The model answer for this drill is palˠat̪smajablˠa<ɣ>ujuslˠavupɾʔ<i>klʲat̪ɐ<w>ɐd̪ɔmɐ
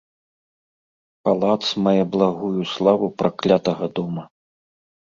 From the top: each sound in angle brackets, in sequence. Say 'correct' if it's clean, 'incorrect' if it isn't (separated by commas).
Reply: correct, incorrect, incorrect